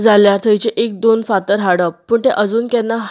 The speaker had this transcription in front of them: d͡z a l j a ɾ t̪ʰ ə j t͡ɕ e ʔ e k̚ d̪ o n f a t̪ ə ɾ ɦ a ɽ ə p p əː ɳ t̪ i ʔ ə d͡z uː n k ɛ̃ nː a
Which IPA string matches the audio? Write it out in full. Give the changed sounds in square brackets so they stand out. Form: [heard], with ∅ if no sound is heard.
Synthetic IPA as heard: d͡z a l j a ɾ t̪ʰ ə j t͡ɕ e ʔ e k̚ d̪ o n f a t̪ ə ɾ ɦ a ɽ ə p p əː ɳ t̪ [e] ʔ ə d͡z uː n k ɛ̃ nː a